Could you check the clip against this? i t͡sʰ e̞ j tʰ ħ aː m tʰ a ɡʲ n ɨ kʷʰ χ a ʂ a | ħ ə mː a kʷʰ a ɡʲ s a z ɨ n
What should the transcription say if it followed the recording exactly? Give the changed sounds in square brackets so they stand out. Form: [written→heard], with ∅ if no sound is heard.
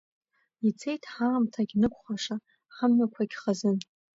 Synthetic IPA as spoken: i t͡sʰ e̞ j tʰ ħ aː m tʰ a ɡʲ n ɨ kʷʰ χ a ʂ a | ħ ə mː a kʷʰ a ɡʲ [s→χ] a z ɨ n